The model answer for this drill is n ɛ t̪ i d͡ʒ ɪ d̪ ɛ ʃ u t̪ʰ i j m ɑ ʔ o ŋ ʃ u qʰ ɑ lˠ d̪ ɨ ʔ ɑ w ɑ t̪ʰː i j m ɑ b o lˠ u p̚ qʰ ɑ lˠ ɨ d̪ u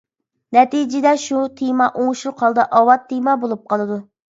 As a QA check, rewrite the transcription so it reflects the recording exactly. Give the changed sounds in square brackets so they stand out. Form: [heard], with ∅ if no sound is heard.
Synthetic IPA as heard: n ɛ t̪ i d͡ʒ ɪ d̪ ɛ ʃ u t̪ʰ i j m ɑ ʔ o ŋ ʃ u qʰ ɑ lˠ d̪ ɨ ʔ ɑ w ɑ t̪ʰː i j m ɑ b o lˠ u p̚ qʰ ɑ lˠ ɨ d̪ u